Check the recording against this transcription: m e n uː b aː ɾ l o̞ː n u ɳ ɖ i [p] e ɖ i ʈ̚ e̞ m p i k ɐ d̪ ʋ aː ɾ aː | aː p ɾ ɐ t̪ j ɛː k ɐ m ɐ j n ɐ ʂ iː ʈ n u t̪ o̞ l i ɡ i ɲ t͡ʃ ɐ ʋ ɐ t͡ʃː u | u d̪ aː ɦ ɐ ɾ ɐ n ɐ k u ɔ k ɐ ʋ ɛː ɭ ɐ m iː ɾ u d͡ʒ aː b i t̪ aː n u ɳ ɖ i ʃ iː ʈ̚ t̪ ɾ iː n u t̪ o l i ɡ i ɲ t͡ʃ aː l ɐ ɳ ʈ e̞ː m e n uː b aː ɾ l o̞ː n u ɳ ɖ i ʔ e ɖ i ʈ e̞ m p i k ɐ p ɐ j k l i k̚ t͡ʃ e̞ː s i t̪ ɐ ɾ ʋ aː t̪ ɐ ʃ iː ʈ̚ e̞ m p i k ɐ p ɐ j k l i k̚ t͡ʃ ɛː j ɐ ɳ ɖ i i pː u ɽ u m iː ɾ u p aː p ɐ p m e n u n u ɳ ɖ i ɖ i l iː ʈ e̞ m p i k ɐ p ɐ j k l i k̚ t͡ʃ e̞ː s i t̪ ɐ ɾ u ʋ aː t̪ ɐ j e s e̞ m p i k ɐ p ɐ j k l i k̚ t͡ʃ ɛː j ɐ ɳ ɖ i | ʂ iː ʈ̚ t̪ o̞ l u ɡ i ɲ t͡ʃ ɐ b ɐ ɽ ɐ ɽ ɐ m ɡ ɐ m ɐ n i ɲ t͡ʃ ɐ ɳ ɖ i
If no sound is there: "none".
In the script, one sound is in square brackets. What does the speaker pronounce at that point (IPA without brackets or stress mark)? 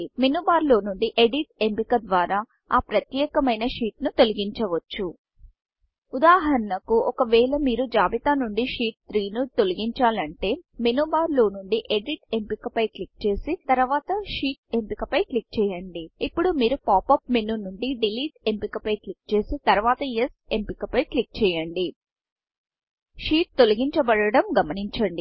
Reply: ʔ